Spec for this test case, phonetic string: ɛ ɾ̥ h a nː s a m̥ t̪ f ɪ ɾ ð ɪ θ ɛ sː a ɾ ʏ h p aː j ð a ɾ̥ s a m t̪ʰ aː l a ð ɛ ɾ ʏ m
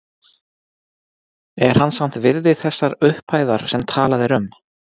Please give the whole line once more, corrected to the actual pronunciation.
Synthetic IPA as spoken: ɛ ɾ̥ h a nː s a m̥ t̪ v ɪ ɾ ð ɪ θ ɛ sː a ɾ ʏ h p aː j ð a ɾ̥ s ɛ m t̪ʰ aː l a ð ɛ ɾ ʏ m